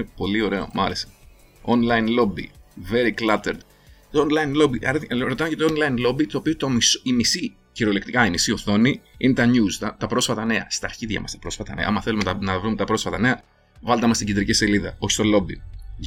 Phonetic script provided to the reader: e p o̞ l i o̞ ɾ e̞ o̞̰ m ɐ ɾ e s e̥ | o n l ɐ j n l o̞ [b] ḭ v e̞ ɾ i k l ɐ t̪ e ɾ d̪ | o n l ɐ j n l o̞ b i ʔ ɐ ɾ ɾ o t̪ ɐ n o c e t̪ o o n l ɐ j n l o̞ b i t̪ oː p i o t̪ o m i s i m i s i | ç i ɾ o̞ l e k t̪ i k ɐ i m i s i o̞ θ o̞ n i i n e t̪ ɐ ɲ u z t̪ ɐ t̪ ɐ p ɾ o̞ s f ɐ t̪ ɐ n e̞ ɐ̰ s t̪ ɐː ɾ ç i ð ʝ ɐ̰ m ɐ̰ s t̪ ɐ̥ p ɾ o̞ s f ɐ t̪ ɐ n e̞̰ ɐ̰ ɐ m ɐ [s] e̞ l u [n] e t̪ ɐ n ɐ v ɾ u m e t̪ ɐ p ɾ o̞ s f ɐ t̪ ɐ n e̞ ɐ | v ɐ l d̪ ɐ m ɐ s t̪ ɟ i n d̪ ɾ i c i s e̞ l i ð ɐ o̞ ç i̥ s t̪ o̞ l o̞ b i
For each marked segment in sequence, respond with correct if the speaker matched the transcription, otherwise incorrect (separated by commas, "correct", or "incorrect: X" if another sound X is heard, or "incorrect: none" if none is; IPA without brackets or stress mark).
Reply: correct, incorrect: θ, incorrect: m